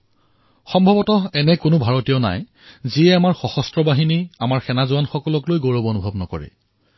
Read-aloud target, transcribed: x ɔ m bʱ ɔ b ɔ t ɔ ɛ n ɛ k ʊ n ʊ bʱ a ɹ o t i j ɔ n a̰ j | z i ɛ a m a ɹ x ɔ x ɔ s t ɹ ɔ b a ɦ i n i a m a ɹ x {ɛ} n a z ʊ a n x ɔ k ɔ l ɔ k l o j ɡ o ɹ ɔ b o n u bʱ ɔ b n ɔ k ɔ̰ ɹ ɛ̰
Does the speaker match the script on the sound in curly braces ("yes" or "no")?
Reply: yes